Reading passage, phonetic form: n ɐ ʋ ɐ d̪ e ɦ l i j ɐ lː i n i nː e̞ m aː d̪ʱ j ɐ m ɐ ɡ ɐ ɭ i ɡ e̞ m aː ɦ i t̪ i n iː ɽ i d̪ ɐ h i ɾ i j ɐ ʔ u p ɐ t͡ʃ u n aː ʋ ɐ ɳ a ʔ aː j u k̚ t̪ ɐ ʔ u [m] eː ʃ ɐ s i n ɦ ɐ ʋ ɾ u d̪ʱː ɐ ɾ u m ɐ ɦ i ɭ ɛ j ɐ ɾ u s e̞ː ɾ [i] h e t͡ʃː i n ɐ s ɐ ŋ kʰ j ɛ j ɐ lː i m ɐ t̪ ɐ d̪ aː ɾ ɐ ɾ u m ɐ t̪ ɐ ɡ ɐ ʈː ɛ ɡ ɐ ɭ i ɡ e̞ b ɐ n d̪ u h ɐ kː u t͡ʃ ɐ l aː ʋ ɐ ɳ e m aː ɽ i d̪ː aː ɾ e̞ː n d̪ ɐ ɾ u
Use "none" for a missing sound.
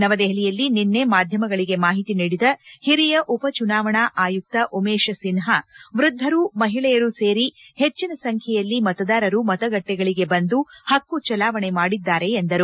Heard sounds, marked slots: m, i

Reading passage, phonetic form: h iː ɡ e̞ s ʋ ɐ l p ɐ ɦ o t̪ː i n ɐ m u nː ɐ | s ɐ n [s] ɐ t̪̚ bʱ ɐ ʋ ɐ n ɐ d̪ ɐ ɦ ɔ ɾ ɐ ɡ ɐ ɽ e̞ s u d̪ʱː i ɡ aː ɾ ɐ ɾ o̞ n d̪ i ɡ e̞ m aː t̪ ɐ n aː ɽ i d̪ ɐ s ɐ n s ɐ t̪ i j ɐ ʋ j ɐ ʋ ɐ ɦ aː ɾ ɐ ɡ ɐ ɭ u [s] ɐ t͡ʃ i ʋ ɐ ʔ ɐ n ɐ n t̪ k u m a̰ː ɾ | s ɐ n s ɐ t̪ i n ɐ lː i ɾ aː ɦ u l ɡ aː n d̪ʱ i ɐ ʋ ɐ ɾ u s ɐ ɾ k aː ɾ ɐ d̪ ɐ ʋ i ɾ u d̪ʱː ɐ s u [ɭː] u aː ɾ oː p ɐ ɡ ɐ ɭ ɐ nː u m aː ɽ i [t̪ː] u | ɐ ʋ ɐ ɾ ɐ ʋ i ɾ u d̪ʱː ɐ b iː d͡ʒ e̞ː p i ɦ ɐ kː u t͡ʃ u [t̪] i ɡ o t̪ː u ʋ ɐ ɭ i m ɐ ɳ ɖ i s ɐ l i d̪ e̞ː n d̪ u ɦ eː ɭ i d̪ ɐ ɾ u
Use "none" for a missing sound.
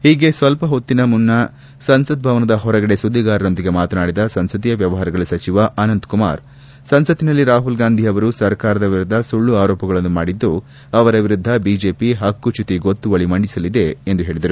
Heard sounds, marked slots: s, s, ɭː, d̪ː, t̪

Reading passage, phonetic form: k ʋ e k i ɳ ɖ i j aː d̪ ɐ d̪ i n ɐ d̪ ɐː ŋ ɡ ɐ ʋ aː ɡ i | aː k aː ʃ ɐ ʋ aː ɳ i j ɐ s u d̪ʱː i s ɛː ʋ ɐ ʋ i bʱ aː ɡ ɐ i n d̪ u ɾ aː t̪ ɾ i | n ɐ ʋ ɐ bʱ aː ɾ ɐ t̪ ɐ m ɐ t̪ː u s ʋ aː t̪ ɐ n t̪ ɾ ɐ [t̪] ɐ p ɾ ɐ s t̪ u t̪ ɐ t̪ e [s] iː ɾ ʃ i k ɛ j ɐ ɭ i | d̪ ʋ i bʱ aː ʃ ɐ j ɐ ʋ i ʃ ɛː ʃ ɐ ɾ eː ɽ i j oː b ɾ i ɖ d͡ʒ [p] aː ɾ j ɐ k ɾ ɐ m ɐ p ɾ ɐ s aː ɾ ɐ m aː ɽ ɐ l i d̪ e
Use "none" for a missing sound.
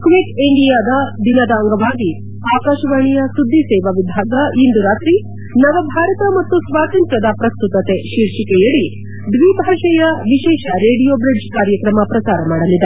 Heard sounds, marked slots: d̪, ʃ, k

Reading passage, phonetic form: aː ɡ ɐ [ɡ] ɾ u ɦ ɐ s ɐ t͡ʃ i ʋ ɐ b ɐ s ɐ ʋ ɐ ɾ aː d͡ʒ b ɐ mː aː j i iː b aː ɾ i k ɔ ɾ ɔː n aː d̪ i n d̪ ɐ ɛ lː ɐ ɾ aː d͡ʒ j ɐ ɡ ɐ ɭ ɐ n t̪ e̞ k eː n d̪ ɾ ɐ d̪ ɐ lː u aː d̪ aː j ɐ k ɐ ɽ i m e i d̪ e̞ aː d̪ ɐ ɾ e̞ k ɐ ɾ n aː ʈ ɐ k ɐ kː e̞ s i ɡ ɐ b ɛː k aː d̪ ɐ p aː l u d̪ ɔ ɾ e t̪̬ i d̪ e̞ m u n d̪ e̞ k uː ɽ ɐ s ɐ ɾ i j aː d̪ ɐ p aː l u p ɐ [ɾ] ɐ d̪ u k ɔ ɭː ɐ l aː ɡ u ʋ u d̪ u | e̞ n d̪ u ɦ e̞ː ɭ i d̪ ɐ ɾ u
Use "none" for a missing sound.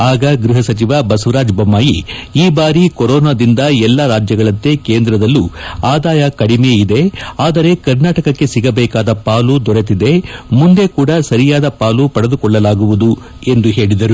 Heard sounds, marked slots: ɡ, ɽ

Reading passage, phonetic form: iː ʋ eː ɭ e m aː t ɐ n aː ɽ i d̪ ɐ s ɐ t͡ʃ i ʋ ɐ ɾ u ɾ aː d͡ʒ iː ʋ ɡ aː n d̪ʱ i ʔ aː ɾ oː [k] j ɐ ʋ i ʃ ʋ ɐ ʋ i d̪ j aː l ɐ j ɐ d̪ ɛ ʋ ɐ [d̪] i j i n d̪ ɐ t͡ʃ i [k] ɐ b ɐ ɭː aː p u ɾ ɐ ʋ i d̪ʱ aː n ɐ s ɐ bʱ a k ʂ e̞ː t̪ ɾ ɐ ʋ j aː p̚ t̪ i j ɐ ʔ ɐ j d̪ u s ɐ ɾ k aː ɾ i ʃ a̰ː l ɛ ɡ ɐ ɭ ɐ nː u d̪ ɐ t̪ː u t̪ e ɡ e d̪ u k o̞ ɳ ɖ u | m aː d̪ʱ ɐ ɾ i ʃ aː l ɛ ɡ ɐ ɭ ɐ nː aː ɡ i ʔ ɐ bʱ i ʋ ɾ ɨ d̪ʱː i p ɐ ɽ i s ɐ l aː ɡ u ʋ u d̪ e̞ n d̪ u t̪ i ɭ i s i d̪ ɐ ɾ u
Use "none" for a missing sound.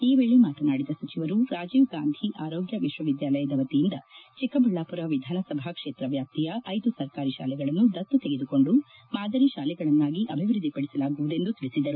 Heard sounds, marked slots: ɡ, t̪, k

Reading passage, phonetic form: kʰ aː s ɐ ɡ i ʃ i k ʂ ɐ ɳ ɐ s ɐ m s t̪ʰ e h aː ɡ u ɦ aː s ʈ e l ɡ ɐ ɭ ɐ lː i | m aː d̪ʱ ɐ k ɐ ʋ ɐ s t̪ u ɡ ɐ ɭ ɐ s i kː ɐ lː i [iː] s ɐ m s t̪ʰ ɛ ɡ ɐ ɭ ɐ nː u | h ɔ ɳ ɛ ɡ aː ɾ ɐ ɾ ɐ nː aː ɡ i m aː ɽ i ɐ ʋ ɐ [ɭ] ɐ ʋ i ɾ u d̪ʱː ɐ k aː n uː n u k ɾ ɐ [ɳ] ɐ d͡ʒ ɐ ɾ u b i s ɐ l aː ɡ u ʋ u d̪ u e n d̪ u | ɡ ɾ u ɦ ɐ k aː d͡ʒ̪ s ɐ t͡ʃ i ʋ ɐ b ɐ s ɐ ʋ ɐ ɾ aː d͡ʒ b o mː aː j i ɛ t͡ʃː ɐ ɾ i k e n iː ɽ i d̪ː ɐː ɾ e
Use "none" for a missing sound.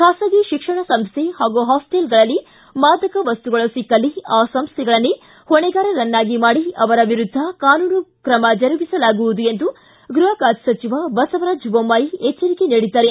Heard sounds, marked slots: aː, ɾ, m

